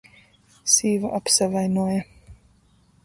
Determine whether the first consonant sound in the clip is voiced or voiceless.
voiceless